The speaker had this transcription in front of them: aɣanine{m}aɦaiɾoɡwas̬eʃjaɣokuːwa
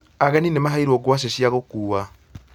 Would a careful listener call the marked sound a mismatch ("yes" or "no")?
no